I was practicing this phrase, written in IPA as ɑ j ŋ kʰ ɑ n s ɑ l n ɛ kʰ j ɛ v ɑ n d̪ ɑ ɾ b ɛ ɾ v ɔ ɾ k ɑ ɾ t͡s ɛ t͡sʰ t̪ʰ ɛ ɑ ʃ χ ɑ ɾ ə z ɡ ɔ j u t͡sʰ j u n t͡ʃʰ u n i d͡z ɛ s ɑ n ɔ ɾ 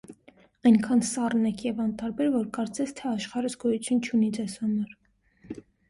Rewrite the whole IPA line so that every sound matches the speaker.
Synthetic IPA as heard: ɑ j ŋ kʰ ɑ n s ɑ r n ɛ kʰ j ɛ v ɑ n t̪ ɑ ɾ b ɛ ɾ v ɔ ɾ k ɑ ɾ t͡s ɛ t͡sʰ t̪ʰ ɛ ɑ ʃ χ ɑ ɾ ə z ɡ ɔ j u t͡sʰ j u n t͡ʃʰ u n i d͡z ɛ s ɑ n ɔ ɾ